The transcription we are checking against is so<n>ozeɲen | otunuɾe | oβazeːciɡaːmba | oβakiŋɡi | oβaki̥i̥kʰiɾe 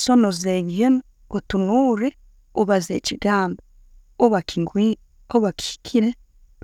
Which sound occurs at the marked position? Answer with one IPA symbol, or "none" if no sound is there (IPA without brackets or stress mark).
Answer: n